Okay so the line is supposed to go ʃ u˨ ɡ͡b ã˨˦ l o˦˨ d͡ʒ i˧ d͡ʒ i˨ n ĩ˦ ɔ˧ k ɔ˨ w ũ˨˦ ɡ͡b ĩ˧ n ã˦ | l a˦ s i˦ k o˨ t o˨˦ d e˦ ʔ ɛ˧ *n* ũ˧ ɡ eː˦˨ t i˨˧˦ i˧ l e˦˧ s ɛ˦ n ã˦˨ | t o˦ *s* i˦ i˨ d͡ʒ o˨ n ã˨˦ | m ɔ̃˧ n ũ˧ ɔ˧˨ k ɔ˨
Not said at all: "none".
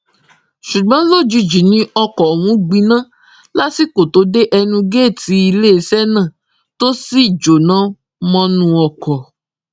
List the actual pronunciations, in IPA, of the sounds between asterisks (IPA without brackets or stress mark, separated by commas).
n, s